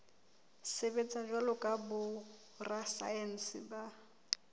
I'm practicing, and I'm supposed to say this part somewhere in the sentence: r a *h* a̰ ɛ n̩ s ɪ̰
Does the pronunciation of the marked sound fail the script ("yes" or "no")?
yes